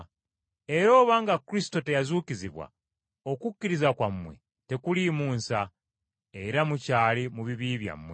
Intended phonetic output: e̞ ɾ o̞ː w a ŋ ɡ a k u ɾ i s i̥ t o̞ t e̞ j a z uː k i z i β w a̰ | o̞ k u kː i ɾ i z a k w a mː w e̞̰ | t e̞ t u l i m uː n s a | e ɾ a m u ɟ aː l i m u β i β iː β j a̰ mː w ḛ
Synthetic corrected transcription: e̞ ɾ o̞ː β a ŋ ɡ a k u ɾ i s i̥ t o̞ t e̞ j a z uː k i z i β w a̰ | o̞ k u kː i ɾ i z a k w a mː w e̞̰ | t e̞ k u l i m uː n s a | e ɾ a m u c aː l i m u β i β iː β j a̰ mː w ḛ